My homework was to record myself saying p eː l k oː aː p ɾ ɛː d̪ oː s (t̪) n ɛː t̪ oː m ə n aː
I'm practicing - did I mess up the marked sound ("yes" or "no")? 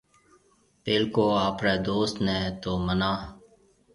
no